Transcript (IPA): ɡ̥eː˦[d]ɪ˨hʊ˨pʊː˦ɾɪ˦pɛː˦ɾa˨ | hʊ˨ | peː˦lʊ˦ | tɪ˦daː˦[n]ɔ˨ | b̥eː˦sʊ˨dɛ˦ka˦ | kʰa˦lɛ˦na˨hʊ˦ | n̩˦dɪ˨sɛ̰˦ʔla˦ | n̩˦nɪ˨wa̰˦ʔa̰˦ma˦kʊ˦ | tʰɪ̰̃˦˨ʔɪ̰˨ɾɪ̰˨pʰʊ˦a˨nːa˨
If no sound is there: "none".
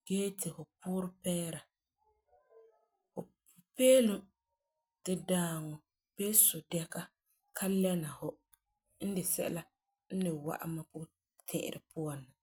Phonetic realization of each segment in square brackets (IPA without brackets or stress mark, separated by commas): t, ŋ